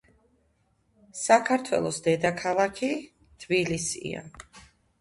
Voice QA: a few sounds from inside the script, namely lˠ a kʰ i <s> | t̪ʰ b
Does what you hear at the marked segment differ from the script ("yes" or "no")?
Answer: yes